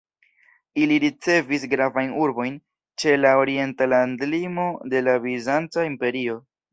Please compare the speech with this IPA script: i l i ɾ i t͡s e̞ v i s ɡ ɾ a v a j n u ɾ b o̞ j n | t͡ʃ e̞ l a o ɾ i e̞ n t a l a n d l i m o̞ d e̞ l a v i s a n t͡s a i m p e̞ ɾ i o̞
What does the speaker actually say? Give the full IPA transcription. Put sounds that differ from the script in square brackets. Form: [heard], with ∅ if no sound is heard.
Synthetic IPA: i l i ɾ i t͡s e̞ v i s ɡ ɾ a v a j n u ɾ b o̞ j n | t͡ʃ e̞ l a o ɾ i e̞ n t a l a n d l i m o̞ d e̞ l a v i [z] a n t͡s a i m p e̞ ɾ i o̞